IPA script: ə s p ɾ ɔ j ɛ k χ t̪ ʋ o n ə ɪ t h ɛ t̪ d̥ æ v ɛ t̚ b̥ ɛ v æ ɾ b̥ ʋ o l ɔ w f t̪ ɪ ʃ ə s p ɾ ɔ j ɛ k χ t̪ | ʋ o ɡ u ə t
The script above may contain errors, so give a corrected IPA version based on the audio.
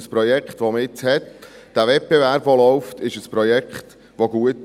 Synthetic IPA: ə s p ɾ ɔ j ɛ k χ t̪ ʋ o m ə ɪ t͡s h ɛ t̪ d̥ æ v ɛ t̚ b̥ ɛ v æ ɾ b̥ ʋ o l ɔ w f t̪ ɪ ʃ ə s p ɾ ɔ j ɛ k χ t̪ | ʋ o ɡ u ə t